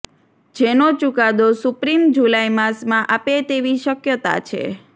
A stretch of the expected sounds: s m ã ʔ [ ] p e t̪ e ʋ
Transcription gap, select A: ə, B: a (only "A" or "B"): B